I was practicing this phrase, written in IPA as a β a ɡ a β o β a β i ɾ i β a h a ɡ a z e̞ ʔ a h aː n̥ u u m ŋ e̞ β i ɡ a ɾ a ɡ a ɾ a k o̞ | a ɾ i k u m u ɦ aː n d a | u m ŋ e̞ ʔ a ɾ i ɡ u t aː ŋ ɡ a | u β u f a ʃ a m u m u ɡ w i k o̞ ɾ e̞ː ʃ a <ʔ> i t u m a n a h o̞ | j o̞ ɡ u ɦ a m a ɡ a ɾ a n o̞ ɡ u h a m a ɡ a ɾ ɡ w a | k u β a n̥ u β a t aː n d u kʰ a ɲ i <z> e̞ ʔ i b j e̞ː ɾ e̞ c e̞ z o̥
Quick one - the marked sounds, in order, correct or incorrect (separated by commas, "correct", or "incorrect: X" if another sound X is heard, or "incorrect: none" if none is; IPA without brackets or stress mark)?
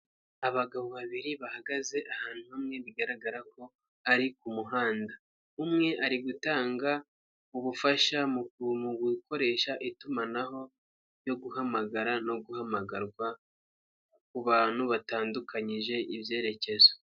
correct, incorrect: ʒ